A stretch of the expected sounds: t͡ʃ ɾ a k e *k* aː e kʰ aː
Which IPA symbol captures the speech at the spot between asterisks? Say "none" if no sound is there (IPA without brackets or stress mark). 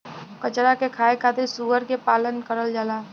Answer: kʰ